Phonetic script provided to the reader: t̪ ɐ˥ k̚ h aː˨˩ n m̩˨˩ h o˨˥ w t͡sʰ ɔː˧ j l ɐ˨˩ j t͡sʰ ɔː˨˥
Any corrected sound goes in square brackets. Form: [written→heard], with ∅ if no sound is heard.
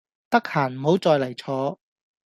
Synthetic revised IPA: t̪ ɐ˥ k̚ h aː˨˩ n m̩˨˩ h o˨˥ w [t͡sʰ→t͡s] ɔː˧ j l ɐ˨˩ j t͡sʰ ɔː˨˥